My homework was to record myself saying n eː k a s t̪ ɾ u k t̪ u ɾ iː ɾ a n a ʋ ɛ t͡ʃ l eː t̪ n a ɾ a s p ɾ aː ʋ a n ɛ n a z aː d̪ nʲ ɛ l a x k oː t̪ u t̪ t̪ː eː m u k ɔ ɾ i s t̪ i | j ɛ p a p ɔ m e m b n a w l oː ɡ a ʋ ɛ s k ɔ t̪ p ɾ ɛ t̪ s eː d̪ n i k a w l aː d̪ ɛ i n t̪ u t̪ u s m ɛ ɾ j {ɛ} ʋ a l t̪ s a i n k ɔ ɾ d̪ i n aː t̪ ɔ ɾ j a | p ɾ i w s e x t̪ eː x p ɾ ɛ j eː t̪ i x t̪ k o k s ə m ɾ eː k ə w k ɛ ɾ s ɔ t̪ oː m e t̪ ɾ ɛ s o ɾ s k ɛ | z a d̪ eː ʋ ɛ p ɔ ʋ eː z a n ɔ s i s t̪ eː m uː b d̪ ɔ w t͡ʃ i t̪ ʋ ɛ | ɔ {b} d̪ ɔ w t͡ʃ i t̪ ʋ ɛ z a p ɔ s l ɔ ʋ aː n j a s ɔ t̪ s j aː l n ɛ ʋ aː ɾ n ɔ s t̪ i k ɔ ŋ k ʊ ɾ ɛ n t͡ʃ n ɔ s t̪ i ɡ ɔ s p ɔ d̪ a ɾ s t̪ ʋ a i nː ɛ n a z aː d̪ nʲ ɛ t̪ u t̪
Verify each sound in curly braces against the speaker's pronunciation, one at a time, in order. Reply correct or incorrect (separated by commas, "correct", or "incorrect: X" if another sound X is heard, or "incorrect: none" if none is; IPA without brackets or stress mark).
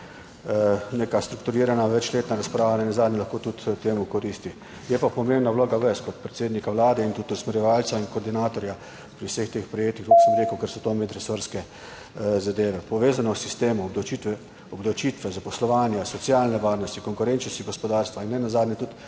correct, correct